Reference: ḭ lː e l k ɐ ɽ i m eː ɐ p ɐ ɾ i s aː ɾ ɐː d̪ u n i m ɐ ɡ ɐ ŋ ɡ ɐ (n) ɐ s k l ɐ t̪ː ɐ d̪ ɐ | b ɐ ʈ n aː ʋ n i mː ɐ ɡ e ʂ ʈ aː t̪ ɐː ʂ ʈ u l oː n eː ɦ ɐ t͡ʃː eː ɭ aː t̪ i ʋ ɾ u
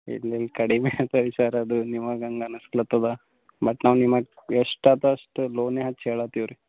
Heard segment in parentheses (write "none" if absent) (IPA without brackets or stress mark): n